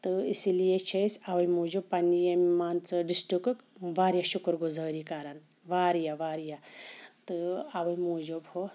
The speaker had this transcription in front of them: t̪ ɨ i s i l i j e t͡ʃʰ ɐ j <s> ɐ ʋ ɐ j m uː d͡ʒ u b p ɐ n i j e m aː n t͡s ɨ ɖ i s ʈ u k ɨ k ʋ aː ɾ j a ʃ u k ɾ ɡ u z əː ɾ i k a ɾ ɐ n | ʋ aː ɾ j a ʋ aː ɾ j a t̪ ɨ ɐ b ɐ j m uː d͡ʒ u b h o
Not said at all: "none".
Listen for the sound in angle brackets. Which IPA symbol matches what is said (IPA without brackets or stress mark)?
s